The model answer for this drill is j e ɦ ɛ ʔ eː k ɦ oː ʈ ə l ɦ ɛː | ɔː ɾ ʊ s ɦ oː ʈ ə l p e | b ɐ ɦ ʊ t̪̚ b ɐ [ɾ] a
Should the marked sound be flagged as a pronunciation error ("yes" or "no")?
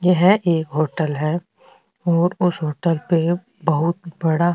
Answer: yes